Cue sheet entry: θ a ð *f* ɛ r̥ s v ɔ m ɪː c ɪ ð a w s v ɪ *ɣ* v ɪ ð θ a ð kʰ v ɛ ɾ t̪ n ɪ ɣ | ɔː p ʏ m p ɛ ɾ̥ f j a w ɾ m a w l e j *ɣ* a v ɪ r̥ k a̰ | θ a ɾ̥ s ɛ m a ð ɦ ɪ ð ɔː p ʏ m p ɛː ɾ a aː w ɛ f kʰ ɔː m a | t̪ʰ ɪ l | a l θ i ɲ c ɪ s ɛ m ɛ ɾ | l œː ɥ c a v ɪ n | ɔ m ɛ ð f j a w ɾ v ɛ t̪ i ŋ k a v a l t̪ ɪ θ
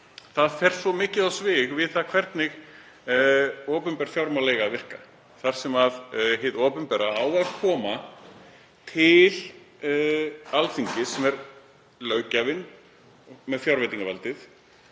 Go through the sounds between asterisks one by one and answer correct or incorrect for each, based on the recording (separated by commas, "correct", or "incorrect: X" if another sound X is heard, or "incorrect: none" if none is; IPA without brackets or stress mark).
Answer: correct, correct, correct